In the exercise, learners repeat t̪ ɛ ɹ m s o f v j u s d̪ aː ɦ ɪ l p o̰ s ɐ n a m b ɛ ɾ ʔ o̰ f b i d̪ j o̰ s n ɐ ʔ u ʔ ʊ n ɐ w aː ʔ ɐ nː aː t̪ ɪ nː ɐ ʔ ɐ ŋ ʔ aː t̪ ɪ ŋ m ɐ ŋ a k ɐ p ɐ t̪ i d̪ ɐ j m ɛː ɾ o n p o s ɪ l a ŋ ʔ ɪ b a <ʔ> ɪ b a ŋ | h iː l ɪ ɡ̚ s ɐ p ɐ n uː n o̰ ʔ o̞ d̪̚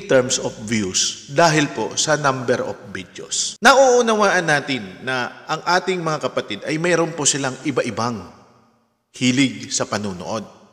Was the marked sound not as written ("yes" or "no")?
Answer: no